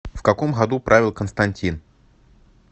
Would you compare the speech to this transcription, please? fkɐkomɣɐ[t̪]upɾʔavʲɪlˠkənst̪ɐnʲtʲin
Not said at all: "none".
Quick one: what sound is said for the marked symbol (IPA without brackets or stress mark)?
d̪